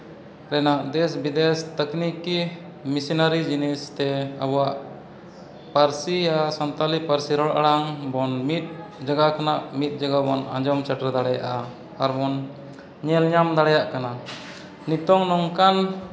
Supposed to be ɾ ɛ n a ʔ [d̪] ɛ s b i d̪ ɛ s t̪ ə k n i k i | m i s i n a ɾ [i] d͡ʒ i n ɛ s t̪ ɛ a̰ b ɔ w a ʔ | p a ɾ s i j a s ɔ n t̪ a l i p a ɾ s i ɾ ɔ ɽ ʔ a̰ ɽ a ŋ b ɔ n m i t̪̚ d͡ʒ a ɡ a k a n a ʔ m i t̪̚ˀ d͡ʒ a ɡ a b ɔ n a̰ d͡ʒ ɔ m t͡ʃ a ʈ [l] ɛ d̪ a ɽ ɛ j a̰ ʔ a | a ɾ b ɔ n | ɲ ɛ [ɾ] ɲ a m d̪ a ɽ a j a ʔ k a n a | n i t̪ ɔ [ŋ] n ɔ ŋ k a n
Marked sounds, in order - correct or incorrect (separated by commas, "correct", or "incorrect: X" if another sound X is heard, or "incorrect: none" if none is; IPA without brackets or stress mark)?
correct, correct, incorrect: ɾ, incorrect: l, correct